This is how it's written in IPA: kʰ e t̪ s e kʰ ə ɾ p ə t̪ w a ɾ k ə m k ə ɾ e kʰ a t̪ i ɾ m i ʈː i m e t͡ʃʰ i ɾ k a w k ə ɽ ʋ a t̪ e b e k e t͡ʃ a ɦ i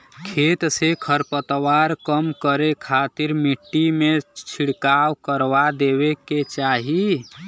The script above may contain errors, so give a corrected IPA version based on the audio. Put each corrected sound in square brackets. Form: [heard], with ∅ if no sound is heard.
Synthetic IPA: kʰ e t̪ s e kʰ ə ɾ p ə t̪ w a ɾ k ə m k ə ɾ e kʰ a t̪ i ɾ m i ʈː i m e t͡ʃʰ i [ɽ] k a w k ə [ɾ] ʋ a [d̪] e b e k e t͡ʃ a ɦ i